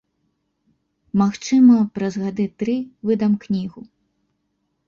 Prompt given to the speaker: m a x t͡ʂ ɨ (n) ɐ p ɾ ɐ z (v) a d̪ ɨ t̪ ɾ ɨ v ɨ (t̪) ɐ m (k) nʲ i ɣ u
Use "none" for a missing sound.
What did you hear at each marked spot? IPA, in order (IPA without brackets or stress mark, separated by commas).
m, ɣ, d̪, k